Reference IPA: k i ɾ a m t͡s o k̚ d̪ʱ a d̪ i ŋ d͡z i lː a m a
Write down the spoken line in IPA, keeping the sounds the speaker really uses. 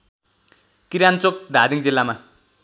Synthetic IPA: k i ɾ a n t͡s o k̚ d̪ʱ a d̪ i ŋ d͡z i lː a m a